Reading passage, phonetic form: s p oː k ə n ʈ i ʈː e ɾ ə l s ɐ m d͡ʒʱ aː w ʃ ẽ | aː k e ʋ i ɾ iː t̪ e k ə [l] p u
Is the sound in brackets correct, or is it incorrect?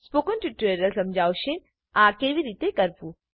incorrect